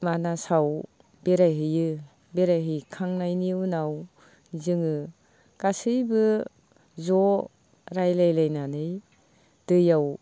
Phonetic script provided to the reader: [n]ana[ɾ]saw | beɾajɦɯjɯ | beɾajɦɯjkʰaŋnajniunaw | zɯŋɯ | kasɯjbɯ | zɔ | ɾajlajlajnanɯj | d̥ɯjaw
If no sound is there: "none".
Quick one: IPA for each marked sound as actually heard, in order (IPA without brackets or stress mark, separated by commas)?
m, none